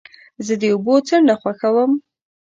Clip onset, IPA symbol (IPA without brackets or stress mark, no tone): z